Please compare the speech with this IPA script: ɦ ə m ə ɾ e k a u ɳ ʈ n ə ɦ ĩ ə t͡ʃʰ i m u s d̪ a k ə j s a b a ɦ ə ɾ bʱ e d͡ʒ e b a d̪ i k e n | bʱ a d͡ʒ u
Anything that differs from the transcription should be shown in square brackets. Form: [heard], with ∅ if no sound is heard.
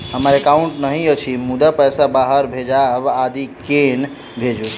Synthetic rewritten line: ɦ ə m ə ɾ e k a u ɳ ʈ n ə ɦ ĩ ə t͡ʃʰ i m u [∅] d̪ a [p] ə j s a b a ɦ ə ɾ bʱ e d͡ʒ [a] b a d̪ i k e n | bʱ [e] d͡ʒ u

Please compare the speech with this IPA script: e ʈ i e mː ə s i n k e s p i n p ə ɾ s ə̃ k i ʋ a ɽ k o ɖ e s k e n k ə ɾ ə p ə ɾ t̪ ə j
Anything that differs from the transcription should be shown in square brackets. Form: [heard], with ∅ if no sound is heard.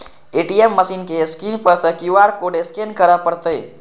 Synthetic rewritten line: e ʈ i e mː ə s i n k e s [k] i n p ə ɾ s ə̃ k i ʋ a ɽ k o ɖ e s k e n k ə ɾ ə p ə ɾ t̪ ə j

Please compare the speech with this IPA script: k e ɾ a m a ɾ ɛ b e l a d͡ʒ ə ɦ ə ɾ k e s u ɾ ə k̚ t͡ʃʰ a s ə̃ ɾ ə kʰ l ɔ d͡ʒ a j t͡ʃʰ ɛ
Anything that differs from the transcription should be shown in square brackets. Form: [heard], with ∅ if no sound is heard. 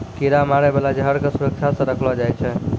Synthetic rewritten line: k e ɾ a m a ɾ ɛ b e l a d͡ʒ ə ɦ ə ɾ k e s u ɾ ə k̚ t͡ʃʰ a s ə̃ ɾ ə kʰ l ɔ d͡ʒ a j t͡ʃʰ ɛ

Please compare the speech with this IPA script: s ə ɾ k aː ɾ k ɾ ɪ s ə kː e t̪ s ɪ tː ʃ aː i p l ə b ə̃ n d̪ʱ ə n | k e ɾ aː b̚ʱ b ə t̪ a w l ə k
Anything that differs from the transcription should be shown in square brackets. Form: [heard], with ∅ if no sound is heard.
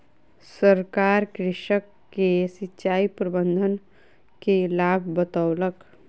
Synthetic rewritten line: s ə ɾ k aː ɾ k ɾ ɪ [ʃ] ə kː e [∅] s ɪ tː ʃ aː i p [ɾ] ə b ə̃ n d̪ʱ ə n | k e [l] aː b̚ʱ b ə t̪ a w l ə k

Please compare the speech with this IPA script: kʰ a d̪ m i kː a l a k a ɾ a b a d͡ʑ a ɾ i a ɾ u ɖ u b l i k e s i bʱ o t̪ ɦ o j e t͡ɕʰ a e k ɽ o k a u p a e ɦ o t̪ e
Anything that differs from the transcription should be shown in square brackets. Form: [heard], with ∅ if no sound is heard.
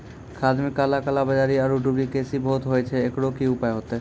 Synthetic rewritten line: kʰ a d̪ m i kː a l a k a [l] a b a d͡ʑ a ɾ i a ɾ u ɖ u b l i k e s i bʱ o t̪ ɦ o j e t͡ɕʰ [e] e k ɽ o k [i] u p a e ɦ o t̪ e

